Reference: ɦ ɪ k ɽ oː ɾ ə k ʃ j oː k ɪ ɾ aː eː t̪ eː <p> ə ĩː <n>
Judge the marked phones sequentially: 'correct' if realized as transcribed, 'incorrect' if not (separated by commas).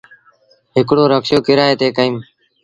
incorrect, incorrect